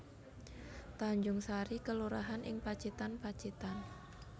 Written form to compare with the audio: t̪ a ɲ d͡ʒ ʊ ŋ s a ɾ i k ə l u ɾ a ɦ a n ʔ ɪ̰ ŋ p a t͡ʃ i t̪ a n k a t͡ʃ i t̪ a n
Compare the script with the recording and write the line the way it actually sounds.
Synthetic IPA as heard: t̪ a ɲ d͡ʒ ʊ ŋ s a ɾ i k ə l u ɾ a ɦ a n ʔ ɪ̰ ŋ p a t͡ʃ i t̪ a n p a t͡ʃ i t̪ a n